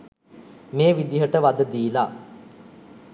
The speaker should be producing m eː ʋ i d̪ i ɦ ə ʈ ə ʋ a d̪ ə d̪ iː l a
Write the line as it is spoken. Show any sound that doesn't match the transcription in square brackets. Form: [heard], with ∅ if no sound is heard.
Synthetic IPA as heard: m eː ʋ i d̪ i ɦ ə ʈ ə ʋ a d̪ ə d̪ iː l a